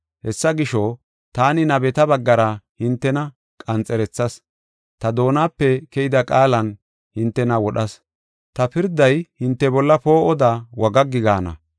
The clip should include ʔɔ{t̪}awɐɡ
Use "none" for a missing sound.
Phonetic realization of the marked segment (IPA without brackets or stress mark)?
d̪